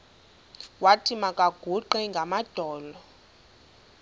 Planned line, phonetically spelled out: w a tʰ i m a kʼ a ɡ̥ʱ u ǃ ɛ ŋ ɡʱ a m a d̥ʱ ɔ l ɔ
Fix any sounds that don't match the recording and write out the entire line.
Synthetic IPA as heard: w a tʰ i m a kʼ a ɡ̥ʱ u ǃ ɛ ŋ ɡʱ a m a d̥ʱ ɔː l ɔ

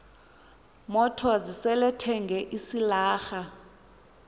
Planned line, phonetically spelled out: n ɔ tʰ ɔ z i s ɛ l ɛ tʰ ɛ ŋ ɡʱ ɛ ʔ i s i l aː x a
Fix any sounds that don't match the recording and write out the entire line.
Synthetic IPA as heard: m ɔ tʰ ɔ z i s ɛ l ɛ tʰ ɛ ŋ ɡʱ ɛ ʔ i s i l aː x a

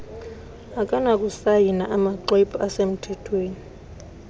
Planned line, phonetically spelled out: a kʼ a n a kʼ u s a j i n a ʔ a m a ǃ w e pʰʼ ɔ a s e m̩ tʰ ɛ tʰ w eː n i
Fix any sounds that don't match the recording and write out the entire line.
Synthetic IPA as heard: a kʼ a n a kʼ u s a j i n a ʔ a m a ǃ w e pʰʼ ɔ a s e m̩ tʰ ɛ tʰ w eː n i

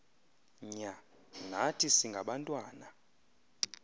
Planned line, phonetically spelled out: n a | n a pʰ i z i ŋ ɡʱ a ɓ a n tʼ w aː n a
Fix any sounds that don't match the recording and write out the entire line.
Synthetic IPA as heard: ɲ a | n a tʰ i s i ŋ ɡʱ a ɓ a n tʼ w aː n a

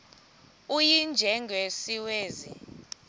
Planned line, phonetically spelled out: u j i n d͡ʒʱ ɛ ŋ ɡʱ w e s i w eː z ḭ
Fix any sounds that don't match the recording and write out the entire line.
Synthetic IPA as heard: u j i n d͡ʒʱ ɛ ŋ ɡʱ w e s i w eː z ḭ

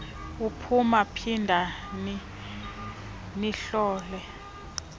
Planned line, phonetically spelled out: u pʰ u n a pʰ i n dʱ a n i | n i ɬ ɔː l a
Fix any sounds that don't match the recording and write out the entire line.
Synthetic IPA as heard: u pʰ u m a pʰ i n dʱ a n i | n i ɬ ɔː l ɛ

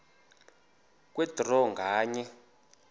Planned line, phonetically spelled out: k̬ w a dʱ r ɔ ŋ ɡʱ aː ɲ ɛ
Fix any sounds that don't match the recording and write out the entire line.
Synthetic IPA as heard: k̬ w ɛ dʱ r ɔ ŋ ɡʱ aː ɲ ɛ

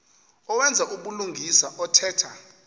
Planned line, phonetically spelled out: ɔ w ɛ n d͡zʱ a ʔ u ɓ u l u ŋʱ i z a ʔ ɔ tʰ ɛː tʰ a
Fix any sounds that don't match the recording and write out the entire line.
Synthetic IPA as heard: ɔ w ɛ n d͡zʱ a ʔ u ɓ u l u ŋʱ i s a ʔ ɔ tʰ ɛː tʰ a

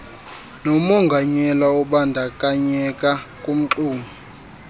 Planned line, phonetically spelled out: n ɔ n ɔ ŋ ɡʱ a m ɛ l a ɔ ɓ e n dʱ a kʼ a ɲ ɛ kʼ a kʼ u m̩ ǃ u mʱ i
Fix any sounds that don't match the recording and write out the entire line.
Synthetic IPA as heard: n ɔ m ɔ ŋ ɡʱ a ɲ ɛ l a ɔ ɓ a n dʱ a kʼ a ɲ ɛ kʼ a kʼ u m̩ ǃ uː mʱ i

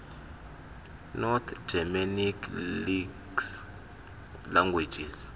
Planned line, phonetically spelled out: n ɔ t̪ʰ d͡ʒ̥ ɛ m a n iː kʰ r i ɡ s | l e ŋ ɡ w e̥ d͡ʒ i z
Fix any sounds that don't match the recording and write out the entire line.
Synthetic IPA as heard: n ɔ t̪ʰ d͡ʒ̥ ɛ m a n i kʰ l i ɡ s | l a ŋ ɡ w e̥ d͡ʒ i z

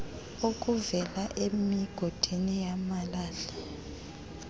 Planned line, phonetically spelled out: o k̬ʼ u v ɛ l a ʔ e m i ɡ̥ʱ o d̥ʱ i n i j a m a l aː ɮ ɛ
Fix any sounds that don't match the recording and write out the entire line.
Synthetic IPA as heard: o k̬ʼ u v ɛ l a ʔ e m i ɡ̥ʱ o d̥ʱ i n i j a m a l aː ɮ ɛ

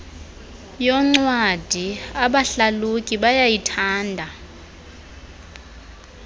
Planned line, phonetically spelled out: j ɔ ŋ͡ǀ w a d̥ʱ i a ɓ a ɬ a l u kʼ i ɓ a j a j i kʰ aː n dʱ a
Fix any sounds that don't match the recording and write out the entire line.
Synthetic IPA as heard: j ɔ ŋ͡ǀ w a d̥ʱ i a ɓ a ɬ a l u kʼ i ɓ a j a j i tʰ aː n dʱ a

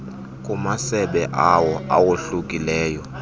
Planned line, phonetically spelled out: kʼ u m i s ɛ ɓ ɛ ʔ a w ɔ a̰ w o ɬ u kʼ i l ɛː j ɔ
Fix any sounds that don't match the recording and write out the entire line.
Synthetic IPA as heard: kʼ u m a s ɛ ɓ ɛ ʔ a w ɔ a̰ w o ɬ u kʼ i l ɛː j ɔ

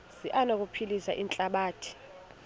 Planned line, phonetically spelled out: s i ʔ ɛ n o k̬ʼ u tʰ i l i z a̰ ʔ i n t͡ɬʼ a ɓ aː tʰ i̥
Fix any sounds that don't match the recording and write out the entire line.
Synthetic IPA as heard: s i ʔ a n o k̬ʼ u pʰ i l i s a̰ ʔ i n t͡ɬʼ a ɓ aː tʰ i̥

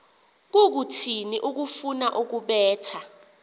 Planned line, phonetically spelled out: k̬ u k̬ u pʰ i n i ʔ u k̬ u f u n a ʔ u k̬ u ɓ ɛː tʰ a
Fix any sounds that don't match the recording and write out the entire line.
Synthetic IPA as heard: k̬ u k̬ u tʰ i n i ʔ u k̬ u f u n a ʔ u k̬ u ɓ ɛː tʰ a

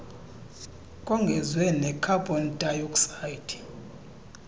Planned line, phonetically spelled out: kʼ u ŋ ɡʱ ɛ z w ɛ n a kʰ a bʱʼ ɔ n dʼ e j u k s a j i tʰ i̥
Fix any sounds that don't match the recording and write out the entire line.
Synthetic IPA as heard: kʼ ɔ ŋ ɡʱ ɛ z w ɛ n ɛ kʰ a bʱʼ ɔ n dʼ a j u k s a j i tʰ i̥

